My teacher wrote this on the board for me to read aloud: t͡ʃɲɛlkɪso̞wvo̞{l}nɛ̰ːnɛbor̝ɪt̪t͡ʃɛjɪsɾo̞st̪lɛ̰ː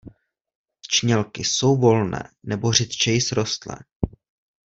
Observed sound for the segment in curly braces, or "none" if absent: l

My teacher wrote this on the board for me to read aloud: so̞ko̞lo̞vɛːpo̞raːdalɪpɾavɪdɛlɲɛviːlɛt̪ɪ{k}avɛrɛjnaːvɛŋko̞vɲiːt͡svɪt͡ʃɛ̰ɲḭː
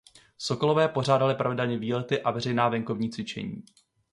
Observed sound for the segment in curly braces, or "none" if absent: ʔ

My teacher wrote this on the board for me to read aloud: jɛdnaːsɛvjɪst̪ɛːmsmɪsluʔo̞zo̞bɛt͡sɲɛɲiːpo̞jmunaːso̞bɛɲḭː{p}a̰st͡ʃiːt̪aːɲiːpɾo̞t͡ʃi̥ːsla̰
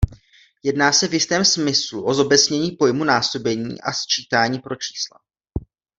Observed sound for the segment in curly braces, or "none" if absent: ʔ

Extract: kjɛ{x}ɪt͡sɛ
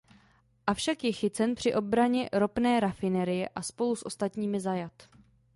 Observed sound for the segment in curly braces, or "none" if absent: x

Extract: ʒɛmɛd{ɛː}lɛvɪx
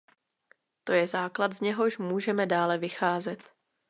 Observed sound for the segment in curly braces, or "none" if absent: aː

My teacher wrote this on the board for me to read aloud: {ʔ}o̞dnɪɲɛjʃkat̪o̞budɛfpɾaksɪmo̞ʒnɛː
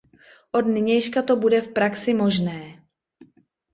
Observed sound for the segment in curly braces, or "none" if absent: ʔ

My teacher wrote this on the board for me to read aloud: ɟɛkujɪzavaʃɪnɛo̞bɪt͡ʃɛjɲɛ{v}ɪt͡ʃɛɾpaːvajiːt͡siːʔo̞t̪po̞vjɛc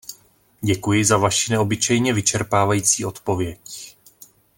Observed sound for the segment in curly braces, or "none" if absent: v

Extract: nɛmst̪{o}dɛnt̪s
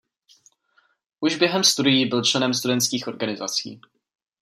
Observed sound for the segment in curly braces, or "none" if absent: u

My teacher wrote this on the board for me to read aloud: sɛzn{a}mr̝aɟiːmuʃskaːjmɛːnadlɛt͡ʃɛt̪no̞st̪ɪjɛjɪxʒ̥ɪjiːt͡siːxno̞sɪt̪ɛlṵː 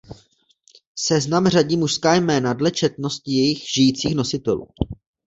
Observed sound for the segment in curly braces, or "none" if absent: a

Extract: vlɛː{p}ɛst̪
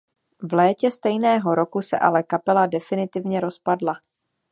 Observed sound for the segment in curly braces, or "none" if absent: c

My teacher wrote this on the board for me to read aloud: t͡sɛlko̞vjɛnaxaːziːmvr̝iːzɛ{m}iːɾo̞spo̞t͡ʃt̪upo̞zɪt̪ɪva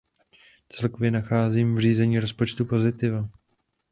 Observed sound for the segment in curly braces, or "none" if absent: ɲ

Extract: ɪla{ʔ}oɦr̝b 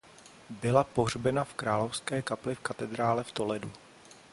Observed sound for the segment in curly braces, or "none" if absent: p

